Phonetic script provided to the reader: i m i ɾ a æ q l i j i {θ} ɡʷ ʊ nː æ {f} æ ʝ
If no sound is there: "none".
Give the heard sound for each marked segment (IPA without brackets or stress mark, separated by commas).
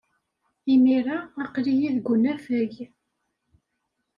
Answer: ð, f